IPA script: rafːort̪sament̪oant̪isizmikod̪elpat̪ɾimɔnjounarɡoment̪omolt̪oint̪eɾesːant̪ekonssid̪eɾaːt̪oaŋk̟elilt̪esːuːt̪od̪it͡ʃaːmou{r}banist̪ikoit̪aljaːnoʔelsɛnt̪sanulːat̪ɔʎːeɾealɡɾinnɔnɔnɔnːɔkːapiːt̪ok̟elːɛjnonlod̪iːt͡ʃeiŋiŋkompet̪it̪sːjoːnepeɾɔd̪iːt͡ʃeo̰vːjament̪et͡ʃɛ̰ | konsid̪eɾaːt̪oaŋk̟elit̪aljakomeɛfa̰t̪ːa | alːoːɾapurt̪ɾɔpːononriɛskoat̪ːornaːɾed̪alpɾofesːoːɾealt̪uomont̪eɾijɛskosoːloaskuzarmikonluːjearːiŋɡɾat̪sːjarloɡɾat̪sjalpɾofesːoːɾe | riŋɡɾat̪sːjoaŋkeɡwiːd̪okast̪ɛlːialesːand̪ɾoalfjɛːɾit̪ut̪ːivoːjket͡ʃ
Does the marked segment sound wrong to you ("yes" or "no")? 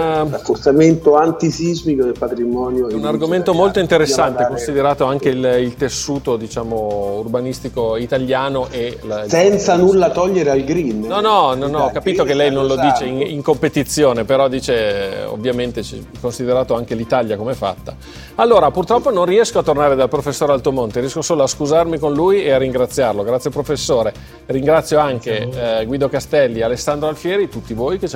no